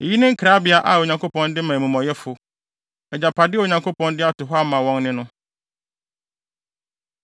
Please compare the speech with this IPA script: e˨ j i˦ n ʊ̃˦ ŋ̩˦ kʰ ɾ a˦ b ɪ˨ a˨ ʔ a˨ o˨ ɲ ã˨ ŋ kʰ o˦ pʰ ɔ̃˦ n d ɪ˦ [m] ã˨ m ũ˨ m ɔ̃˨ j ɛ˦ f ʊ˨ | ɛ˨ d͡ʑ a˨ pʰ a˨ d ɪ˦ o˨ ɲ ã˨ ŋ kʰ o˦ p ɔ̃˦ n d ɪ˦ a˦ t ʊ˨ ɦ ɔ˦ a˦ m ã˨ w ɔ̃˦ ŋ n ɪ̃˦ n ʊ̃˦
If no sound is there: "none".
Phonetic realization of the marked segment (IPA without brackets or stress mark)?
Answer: m